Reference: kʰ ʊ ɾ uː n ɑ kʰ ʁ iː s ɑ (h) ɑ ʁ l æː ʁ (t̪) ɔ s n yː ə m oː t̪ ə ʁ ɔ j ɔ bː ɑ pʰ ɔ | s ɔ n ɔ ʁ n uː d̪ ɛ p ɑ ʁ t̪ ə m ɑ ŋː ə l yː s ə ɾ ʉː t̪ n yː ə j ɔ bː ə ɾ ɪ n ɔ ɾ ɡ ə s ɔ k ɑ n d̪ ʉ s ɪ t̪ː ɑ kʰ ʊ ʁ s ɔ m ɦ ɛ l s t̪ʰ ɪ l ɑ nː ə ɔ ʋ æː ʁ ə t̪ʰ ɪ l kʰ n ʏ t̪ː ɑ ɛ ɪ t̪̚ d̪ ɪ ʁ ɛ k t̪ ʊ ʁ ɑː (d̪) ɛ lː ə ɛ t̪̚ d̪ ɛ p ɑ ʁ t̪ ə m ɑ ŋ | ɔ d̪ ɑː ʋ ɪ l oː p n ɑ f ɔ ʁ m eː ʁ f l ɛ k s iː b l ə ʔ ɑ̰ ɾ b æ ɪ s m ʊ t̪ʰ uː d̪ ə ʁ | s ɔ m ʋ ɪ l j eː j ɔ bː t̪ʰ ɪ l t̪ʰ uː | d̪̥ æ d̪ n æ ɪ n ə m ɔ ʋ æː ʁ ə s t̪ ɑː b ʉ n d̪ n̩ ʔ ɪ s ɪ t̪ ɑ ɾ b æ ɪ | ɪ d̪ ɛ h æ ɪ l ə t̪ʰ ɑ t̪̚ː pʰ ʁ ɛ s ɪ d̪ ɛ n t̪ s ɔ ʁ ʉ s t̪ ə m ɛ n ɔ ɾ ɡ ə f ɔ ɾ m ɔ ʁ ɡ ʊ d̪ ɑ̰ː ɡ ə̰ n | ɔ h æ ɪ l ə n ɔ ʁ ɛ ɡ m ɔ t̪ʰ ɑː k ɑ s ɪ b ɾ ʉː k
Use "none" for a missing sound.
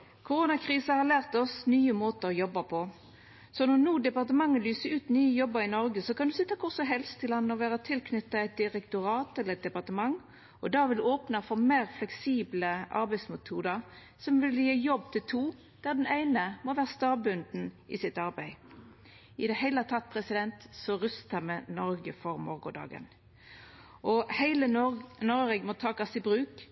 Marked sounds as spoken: h, t̪, t̪

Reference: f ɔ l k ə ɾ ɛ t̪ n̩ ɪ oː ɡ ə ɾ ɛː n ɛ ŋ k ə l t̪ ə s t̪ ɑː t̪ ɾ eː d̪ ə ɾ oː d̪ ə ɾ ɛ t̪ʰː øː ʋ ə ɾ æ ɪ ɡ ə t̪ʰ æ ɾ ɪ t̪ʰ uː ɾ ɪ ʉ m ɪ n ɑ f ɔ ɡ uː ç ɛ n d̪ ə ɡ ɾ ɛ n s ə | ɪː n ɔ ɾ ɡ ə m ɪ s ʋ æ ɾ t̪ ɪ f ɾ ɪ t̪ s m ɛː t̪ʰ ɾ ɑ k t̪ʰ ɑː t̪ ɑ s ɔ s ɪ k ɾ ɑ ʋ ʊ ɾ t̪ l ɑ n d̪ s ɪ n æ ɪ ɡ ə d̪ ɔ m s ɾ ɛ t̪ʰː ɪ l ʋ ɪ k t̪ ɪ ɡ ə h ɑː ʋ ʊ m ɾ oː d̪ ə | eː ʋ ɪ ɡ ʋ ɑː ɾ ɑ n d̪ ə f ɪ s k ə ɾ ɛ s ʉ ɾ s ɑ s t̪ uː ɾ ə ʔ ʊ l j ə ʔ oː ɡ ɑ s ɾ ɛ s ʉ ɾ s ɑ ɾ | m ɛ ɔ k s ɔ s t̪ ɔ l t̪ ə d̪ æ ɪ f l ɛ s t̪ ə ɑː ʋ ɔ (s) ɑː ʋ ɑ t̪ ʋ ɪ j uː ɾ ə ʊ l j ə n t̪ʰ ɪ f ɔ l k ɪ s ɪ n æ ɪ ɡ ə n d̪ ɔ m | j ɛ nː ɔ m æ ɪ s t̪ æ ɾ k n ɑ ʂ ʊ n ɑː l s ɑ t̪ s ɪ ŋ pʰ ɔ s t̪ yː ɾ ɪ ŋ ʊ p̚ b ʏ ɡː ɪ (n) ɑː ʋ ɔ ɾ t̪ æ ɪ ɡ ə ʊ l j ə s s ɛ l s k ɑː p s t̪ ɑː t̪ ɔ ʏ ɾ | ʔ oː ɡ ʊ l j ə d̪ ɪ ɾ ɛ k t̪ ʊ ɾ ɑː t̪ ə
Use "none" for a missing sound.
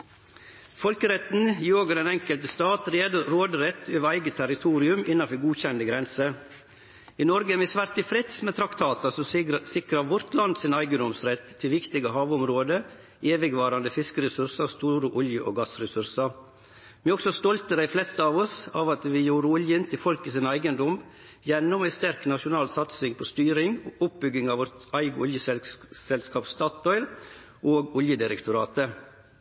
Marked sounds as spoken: s, ŋ

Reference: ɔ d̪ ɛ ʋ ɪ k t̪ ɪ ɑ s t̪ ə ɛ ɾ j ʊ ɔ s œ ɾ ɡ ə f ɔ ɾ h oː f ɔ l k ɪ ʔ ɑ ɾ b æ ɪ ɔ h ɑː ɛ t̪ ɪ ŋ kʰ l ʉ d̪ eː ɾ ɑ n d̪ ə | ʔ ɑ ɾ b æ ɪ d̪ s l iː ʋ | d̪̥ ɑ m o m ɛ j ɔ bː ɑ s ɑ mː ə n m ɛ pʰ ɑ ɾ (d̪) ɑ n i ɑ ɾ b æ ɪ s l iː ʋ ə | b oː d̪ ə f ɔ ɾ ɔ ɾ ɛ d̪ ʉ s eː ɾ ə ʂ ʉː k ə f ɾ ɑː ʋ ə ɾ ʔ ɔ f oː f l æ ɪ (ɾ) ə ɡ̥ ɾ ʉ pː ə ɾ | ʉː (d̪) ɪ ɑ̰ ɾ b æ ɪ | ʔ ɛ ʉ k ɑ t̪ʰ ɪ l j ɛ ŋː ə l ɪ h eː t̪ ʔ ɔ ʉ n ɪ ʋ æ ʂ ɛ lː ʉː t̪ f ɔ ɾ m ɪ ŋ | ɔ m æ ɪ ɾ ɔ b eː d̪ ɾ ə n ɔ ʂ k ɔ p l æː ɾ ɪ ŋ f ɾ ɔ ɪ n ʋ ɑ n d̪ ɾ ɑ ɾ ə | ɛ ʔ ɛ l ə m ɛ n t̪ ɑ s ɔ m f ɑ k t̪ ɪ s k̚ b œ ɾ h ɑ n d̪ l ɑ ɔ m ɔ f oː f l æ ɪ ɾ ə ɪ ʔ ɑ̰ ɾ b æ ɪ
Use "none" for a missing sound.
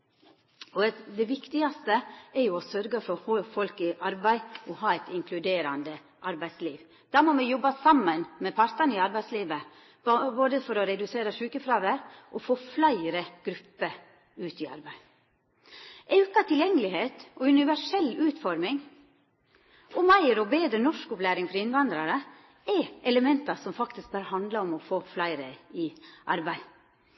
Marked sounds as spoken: t̪, ɾ, t̪

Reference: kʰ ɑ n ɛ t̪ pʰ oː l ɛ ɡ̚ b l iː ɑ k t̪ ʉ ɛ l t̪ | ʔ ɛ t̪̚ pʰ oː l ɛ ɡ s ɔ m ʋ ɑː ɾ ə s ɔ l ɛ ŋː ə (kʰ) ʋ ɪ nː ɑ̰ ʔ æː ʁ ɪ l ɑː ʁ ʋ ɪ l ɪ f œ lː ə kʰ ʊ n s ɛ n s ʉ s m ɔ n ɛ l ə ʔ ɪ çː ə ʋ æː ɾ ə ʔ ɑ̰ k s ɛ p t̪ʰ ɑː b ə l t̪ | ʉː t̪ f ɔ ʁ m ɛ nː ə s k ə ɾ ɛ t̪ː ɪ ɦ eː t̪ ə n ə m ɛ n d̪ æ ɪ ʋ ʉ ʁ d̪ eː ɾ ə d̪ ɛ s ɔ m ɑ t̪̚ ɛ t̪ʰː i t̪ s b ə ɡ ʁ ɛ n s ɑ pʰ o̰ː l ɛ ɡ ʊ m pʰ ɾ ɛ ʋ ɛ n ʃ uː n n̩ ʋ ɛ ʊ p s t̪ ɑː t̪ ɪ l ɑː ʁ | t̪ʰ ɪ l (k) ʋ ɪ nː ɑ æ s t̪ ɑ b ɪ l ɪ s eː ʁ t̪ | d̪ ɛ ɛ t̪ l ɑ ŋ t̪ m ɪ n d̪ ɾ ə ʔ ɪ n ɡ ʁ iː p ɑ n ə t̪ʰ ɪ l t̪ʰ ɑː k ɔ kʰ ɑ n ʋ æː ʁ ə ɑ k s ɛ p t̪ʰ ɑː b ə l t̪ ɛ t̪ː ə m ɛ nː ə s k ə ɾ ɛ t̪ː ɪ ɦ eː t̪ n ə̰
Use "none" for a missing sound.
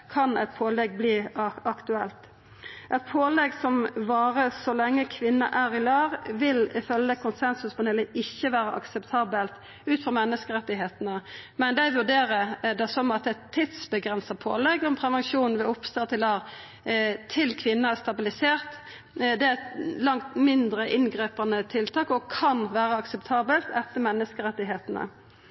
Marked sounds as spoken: kʰ, kʰ

